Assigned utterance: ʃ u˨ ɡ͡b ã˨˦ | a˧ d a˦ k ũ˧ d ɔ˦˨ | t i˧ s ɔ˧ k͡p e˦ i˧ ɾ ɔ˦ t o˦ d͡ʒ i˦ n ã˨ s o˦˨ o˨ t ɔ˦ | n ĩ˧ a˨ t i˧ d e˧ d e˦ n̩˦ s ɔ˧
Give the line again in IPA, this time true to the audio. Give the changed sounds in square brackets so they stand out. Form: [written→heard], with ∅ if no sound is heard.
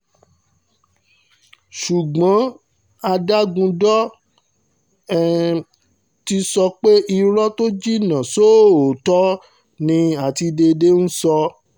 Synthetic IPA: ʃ u˨ ɡ͡b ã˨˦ | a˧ d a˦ [k→ɡ] ũ˧ d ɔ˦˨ | t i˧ s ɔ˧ k͡p e˦ i˧ ɾ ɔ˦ t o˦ d͡ʒ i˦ n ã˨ s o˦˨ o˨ t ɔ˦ | n ĩ˧ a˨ t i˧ d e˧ d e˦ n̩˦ s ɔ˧

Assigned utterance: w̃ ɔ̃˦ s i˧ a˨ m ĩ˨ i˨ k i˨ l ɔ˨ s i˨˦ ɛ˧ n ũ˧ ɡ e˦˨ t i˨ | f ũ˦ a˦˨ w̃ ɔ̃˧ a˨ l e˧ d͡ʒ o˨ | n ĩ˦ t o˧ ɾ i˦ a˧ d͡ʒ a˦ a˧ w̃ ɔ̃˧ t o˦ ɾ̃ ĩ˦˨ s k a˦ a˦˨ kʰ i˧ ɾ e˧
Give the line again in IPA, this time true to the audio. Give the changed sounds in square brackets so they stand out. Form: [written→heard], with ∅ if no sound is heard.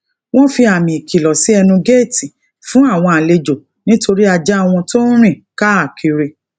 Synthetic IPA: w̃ ɔ̃˦ [s→f] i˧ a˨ m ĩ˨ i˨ k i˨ l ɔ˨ s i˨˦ ɛ˧ n ũ˧ ɡ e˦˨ t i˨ | f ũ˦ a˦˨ w̃ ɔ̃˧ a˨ l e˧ d͡ʒ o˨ | n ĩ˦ t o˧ ɾ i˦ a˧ d͡ʒ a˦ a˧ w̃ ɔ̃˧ t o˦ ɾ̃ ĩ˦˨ [s→∅] k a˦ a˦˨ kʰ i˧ ɾ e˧

